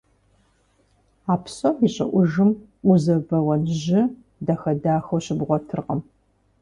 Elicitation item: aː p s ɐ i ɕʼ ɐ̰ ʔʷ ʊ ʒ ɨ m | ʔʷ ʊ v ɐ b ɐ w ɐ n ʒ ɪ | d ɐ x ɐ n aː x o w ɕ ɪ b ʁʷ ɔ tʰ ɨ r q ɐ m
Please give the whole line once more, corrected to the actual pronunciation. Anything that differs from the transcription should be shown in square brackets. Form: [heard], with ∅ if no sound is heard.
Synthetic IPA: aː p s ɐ i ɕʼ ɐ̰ ʔʷ ʊ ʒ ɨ m | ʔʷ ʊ [z] ɐ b ɐ w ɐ n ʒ ɪ | d ɐ x ɐ [d] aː x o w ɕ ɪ b ʁʷ ɔ tʰ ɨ r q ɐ m